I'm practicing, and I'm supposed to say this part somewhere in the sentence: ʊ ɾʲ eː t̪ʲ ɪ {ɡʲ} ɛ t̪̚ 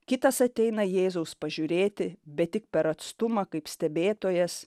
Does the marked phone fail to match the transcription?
yes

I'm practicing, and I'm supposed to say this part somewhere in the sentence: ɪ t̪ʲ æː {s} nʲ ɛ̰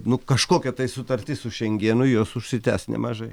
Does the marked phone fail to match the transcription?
no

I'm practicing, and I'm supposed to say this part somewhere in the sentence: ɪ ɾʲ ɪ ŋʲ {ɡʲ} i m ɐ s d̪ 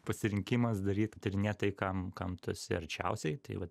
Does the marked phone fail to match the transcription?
yes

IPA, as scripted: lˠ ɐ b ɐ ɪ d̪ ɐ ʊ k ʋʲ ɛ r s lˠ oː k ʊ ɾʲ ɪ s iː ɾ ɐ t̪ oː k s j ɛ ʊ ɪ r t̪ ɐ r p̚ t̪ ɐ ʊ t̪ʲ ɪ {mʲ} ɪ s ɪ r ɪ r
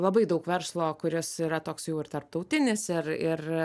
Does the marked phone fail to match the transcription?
yes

